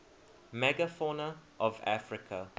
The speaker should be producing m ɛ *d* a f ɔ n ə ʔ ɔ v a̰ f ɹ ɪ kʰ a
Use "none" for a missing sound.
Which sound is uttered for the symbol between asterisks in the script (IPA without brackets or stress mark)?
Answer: ɡ